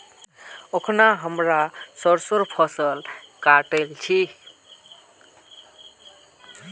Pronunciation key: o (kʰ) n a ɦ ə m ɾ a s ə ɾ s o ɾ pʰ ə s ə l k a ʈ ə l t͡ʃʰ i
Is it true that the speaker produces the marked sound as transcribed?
yes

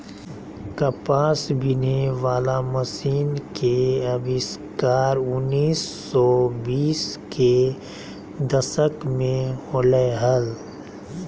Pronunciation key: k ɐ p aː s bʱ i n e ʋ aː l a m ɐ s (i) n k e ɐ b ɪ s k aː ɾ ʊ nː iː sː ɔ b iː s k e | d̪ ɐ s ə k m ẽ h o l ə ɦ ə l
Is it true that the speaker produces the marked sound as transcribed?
no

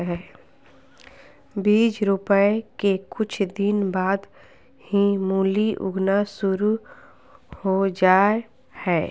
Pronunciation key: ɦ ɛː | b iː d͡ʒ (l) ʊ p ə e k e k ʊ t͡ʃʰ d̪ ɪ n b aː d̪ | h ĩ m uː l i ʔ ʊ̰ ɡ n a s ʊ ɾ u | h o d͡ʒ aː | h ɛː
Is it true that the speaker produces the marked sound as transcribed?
no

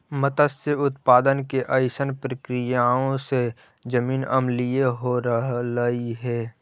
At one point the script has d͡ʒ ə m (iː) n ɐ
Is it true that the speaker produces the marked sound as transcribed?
yes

